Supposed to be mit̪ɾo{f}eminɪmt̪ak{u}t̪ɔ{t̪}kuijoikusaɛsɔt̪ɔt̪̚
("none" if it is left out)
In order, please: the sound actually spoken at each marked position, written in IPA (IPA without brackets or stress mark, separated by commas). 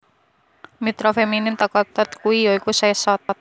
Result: f, ɔ, t̪